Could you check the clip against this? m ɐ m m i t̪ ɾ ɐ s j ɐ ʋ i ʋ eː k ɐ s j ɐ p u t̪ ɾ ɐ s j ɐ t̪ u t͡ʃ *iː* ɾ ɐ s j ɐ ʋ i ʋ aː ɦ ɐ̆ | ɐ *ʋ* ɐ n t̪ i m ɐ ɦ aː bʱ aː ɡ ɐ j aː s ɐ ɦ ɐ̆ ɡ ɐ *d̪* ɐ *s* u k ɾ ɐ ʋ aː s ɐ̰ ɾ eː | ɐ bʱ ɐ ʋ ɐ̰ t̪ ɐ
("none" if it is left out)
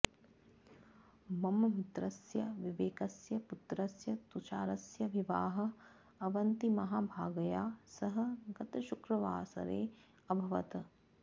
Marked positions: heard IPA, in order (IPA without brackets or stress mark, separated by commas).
aː, ʋ, t̪, ʃ